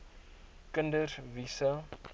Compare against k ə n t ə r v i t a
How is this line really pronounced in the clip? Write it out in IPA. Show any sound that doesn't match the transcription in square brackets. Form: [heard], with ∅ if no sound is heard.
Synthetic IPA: k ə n [d] ə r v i [s] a